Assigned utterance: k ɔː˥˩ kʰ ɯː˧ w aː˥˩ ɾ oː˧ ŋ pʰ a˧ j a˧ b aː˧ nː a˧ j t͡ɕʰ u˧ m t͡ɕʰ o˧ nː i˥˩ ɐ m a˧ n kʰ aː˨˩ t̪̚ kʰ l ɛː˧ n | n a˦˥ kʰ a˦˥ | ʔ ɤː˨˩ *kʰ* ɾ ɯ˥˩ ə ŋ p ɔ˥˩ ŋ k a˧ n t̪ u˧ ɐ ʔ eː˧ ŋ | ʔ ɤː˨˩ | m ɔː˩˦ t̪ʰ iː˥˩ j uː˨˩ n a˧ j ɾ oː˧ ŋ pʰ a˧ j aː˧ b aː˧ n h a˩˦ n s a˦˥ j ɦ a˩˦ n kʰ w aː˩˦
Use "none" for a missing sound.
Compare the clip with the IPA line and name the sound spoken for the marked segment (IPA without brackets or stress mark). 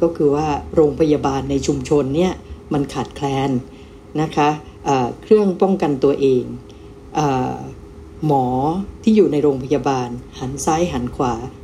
kʰ